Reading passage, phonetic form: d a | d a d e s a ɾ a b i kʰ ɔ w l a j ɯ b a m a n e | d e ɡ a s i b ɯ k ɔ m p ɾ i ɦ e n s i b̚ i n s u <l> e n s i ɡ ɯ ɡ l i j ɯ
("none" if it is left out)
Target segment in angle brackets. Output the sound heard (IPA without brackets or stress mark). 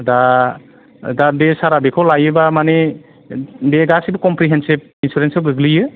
ɾ